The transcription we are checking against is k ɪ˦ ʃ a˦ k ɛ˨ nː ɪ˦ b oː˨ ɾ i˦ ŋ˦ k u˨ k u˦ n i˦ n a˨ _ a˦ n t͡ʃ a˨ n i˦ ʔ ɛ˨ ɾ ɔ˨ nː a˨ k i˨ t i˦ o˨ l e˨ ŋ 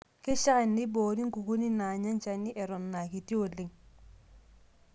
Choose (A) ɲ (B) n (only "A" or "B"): A